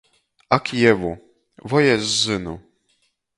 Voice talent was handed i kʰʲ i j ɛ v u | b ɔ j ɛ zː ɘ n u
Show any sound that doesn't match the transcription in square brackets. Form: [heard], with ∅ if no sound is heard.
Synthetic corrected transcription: [a] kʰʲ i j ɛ v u | [v] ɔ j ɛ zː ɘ n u